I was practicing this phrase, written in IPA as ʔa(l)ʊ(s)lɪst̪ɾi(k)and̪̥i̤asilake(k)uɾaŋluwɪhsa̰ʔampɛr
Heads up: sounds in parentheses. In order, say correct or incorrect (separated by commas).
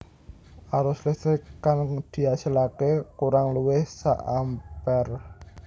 incorrect, correct, correct, correct